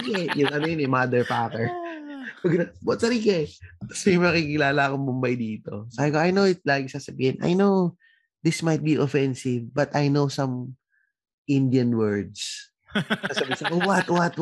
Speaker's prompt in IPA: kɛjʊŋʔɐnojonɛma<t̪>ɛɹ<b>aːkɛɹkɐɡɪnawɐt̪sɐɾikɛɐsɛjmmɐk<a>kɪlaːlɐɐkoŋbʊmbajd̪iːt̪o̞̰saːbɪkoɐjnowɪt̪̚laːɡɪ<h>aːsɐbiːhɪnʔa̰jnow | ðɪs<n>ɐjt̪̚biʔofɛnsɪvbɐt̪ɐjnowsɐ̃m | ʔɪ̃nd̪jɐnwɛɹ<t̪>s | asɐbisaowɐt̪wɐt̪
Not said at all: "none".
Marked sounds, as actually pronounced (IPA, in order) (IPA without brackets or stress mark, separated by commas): d̪, p, i, s, m, d̪